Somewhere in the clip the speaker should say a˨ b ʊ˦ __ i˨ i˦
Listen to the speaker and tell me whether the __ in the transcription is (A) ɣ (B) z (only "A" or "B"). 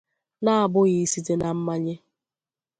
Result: A